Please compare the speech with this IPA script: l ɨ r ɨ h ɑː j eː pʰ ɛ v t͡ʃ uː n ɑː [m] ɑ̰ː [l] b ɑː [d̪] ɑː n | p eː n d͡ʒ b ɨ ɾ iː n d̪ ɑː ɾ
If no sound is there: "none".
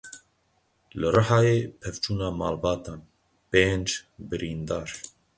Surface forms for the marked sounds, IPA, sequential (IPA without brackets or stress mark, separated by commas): m, l, t̪